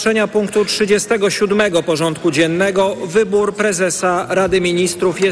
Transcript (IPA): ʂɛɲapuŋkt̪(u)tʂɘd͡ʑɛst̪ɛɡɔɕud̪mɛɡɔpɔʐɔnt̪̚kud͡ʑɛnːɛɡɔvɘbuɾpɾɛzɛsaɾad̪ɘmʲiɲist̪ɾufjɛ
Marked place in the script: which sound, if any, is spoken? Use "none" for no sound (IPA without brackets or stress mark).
u